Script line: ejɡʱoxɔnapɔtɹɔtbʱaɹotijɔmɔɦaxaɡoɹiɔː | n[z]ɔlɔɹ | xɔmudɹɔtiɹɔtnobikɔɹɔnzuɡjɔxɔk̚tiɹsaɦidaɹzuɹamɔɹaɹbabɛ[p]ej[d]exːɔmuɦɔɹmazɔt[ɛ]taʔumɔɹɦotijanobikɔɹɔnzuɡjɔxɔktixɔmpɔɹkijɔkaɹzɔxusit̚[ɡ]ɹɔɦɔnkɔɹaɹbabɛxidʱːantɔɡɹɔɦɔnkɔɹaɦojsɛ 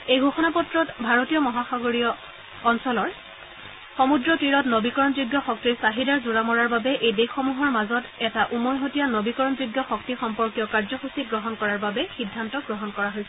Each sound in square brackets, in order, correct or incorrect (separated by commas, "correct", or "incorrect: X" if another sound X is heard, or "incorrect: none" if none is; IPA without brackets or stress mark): incorrect: s, incorrect: ʔ, correct, correct, correct